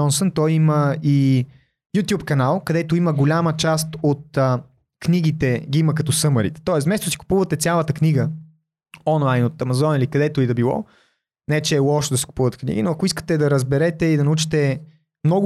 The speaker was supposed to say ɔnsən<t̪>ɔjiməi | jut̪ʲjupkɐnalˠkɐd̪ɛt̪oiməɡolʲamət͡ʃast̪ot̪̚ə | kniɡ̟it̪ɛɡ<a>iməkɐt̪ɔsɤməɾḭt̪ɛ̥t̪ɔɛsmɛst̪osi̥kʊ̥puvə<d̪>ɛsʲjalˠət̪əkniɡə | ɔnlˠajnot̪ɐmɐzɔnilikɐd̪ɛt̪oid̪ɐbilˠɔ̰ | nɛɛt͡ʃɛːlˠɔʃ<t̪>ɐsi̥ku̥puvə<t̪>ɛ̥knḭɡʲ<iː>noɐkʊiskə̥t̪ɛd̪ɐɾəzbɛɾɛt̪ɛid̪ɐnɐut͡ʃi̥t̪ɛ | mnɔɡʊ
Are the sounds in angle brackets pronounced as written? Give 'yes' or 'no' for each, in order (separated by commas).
yes, no, no, no, yes, no